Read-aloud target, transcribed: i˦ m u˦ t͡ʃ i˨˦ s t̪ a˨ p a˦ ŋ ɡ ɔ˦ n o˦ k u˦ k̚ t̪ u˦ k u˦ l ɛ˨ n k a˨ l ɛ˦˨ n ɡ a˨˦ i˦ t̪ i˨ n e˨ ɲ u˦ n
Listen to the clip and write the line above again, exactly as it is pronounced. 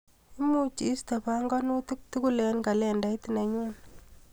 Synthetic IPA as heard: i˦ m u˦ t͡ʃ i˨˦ s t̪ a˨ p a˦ ŋ ɡ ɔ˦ n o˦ t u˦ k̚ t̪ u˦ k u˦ l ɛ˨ n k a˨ l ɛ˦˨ n d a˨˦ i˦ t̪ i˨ n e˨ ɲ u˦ n